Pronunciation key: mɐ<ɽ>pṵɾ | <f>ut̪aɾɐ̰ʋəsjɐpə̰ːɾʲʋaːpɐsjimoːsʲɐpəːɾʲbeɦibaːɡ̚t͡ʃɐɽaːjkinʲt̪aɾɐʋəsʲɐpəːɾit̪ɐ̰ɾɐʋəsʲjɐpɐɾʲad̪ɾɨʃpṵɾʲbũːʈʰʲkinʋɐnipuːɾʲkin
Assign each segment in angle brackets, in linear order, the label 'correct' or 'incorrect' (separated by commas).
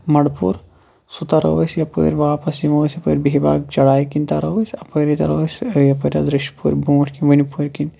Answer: correct, incorrect